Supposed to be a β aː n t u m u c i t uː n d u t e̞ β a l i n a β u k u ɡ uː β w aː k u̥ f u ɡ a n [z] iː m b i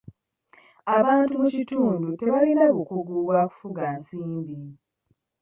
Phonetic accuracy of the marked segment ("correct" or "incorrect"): incorrect